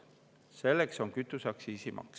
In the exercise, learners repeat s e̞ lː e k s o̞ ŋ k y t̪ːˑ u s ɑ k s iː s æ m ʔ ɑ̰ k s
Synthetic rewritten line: s e̞ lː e k s o̞ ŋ k y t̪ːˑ u s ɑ k s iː s i m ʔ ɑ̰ k s